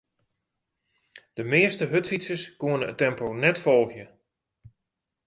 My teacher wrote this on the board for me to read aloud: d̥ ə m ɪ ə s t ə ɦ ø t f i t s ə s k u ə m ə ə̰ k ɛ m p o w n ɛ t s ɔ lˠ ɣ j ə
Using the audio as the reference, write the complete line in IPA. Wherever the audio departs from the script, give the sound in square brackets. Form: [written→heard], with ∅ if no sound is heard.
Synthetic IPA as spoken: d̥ ə m ɪ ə s t ə ɦ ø t f i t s ə s k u ə [m→n] ə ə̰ [k→t] ɛ m p o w n ɛ t [s→f] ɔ lˠ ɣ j ə

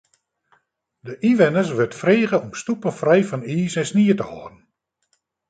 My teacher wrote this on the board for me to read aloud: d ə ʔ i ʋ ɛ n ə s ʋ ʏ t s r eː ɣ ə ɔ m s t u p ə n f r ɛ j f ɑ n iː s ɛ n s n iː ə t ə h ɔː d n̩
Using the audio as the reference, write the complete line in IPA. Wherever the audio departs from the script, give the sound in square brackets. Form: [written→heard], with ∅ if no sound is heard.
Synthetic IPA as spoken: d ə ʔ i ʋ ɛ n ə s ʋ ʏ t [s→f] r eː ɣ ə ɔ m s t u p ə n f r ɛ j f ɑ n iː s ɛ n s n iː ə t ə h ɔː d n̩

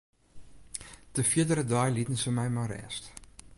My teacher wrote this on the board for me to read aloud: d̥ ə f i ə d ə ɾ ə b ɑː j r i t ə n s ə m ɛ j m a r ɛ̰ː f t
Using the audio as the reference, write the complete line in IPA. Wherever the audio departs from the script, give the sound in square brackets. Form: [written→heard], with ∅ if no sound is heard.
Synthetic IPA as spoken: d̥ ə f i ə d ə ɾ ə [b→d] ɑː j [r→l] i t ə n s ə m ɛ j m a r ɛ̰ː [f→s] t

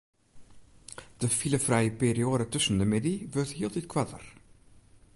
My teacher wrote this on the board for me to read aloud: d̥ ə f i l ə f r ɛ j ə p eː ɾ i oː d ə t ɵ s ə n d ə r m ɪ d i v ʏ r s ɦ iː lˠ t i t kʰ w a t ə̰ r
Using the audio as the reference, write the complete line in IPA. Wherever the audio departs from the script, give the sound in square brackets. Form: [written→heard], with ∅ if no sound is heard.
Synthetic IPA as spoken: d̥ ə f i l ə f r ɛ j ə p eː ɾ i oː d ə t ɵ s ə n d ə [r→∅] m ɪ d i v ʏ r [s→t] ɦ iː lˠ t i t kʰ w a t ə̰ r

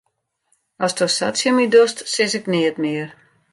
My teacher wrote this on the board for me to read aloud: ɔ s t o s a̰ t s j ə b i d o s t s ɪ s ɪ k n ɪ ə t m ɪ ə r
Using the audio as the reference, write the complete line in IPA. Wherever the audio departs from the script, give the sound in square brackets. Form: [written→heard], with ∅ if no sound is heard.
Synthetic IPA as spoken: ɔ s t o s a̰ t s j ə [b→m] i d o s t s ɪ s ɪ k n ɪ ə t m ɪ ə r

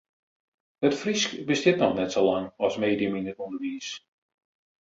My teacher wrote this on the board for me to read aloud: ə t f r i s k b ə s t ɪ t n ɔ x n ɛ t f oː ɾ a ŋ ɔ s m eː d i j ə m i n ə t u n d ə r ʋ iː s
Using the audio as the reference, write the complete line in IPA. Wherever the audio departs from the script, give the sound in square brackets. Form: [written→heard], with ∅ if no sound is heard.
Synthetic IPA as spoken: ə t f r i s k b ə s t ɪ t n ɔ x n ɛ t [f→s] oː [ɾ→l] a ŋ ɔ s m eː d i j ə m i n ə t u n d ə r ʋ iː s

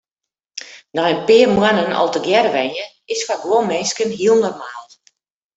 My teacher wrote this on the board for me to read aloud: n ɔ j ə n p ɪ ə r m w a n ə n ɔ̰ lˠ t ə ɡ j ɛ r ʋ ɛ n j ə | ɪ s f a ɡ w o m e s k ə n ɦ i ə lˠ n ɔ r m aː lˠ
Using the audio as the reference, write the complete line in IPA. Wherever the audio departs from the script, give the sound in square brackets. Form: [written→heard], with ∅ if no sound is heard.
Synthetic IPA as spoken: n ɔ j ə n p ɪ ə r m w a n ə n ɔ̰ lˠ t ə ɡ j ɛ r ʋ ɛ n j ə | ɪ s f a ɡ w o m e s k ə n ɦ i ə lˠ n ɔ r m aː lˠ

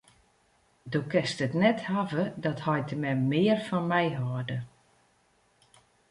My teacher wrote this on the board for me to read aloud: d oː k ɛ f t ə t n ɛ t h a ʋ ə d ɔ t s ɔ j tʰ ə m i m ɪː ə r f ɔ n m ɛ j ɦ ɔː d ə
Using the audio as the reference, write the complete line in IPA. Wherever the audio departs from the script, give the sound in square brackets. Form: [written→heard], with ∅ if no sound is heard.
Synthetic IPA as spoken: d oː k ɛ [f→s] t ə t n ɛ t h a [ʋ→v] ə d ɔ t [s→h] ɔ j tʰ ə m [i→ɛ] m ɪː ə r f ɔ n m ɛ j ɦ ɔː d ə

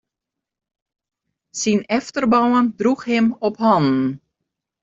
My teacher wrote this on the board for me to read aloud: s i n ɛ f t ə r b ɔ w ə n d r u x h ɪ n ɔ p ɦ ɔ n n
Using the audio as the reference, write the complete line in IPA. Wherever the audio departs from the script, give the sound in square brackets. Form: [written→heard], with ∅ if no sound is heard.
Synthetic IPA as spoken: s i n ɛ f t ə r b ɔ w ə n d r u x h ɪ [n→m] ɔ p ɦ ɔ n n

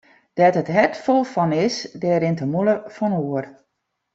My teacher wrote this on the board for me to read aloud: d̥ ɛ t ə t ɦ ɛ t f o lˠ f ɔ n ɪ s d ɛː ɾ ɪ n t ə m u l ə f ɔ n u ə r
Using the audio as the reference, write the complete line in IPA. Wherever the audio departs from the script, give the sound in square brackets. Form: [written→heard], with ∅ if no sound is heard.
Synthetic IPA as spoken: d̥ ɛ t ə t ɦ ɛ t f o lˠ f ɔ n ɪ s d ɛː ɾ ɪ n t ə m u l ə f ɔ n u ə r

